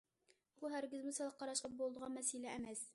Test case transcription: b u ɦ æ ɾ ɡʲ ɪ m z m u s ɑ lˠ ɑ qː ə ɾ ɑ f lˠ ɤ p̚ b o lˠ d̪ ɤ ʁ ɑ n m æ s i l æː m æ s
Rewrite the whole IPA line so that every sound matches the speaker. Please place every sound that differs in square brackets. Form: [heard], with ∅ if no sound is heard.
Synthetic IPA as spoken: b u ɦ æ ɾ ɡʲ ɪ [∅] z m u s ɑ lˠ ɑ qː [ɑ] ɾ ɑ [ʃ] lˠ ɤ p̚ b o lˠ d̪ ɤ ʁ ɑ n m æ s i l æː m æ s